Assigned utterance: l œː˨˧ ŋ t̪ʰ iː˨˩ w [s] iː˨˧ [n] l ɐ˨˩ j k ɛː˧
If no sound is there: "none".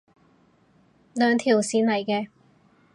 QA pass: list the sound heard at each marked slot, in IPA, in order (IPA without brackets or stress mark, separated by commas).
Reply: s, n